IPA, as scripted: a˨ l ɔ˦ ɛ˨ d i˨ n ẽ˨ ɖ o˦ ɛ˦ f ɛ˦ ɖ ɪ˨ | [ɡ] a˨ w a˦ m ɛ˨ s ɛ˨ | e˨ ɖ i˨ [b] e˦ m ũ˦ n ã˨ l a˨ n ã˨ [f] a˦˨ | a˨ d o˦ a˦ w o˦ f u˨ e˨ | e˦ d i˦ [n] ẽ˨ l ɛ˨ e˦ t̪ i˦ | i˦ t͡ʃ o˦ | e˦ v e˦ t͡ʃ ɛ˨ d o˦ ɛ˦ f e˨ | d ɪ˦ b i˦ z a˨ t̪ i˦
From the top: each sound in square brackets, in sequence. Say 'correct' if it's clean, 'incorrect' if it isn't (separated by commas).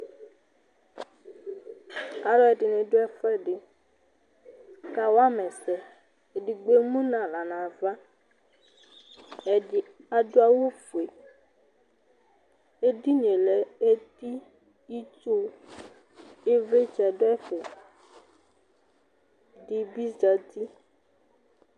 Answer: incorrect, incorrect, incorrect, incorrect